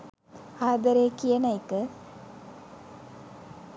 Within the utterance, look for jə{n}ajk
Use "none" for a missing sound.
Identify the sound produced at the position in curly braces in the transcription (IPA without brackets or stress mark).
n